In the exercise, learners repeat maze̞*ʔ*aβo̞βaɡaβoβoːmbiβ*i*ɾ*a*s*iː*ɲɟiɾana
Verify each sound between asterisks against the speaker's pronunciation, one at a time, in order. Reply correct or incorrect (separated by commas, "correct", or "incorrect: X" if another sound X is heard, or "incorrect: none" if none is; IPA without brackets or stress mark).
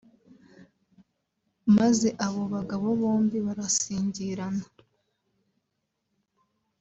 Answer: correct, incorrect: a, correct, correct